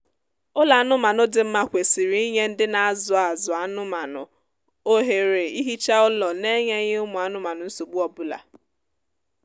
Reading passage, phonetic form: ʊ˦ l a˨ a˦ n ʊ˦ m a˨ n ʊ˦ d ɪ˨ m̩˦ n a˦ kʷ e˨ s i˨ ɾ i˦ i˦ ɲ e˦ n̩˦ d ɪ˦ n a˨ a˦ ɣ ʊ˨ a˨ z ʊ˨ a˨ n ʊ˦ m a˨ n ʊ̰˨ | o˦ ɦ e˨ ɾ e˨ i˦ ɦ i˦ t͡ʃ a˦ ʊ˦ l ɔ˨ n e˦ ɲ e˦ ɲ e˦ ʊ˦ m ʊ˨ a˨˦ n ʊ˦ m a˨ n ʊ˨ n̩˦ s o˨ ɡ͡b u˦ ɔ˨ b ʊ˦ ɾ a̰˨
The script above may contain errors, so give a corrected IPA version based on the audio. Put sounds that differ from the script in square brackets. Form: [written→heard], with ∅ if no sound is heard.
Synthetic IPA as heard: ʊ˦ l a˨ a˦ n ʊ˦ m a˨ n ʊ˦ d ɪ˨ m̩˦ [n→m] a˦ kʷ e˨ s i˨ ɾ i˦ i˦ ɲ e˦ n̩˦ d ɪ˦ n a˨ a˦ [ɣ→z] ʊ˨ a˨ z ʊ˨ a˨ n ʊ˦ m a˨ n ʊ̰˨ | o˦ ɦ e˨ ɾ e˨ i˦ ɦ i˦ t͡ʃ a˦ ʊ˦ l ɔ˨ n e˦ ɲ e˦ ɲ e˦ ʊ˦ m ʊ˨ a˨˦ n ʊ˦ m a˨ n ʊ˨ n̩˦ s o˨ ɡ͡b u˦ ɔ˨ b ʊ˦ [ɾ→l] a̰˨